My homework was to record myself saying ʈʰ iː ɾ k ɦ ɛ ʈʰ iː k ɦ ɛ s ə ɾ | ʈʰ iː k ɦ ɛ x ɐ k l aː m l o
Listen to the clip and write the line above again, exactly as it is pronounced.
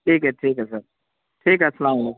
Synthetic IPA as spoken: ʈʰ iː k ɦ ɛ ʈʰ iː k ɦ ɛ s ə ɾ | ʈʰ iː k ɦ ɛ s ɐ l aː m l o